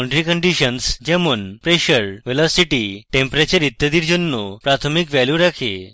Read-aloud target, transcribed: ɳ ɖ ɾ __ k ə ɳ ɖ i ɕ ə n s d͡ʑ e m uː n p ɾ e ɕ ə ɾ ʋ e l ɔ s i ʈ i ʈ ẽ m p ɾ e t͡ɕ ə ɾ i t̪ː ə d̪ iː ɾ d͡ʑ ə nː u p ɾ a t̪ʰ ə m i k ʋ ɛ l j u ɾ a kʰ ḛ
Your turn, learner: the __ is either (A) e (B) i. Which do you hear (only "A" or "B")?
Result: B